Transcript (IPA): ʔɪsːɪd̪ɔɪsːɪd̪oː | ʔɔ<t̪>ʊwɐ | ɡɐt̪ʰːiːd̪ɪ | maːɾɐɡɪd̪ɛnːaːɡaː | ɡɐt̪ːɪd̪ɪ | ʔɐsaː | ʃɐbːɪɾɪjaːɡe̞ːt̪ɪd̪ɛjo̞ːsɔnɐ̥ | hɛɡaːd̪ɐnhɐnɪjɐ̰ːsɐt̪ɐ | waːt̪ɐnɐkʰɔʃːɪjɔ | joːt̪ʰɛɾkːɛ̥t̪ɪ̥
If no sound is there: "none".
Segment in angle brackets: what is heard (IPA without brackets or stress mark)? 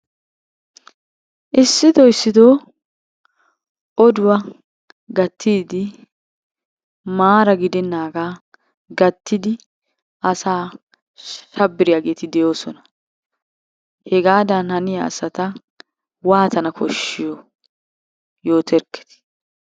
d̪